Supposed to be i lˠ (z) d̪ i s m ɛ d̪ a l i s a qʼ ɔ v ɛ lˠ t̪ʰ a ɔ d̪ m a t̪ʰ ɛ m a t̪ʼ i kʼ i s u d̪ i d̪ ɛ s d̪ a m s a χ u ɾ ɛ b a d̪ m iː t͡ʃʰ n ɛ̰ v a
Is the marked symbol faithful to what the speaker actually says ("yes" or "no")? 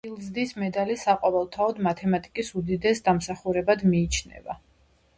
yes